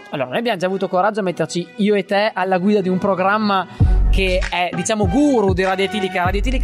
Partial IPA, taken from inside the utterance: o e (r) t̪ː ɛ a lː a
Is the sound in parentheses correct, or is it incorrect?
incorrect: none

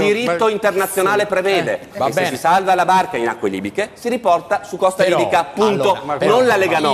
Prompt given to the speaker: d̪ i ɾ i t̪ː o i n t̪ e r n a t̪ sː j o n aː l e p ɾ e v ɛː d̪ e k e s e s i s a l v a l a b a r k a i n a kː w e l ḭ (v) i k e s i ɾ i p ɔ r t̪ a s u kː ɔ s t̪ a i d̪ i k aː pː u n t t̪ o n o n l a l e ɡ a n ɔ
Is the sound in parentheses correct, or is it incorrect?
incorrect: b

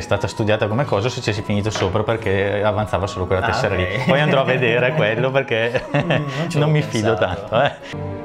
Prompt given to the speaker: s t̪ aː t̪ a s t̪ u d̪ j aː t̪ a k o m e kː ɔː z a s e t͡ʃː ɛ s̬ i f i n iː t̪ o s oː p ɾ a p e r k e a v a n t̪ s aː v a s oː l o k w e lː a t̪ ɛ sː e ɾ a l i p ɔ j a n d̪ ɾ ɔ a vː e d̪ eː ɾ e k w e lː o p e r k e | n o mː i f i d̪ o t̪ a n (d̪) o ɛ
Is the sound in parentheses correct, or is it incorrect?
incorrect: t̪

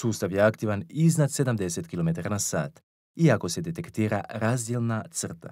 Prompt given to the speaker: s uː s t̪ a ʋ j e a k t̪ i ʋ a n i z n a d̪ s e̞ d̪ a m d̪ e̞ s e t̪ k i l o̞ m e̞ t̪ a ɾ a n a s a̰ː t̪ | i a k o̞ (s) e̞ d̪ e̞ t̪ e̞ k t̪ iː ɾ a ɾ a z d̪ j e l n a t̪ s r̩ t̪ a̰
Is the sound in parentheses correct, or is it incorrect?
correct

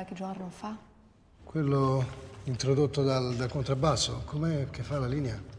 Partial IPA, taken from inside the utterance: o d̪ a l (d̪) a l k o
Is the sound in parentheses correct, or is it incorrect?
correct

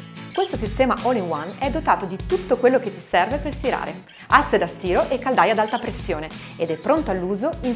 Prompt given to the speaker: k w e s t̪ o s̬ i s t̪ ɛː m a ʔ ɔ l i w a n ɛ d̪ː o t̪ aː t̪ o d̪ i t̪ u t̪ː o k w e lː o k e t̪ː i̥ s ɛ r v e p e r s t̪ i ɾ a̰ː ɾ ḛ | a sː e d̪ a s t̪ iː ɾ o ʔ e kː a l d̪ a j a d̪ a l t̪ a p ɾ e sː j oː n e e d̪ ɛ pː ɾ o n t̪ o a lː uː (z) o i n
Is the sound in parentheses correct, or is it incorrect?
correct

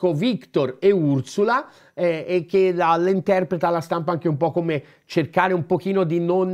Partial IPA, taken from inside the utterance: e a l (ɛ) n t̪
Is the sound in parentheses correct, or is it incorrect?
incorrect: i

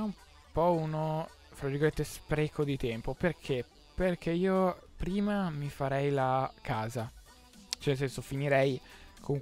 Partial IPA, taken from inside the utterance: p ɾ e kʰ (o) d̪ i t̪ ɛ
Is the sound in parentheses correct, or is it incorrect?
correct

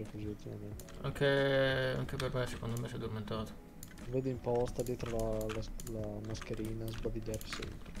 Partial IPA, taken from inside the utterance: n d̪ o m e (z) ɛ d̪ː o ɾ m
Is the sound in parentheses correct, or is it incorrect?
incorrect: s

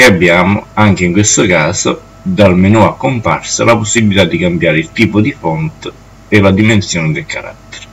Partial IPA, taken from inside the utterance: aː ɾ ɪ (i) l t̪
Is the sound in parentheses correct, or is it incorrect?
correct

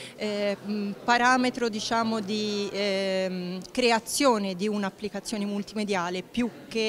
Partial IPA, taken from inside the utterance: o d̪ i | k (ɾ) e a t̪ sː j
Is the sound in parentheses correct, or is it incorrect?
correct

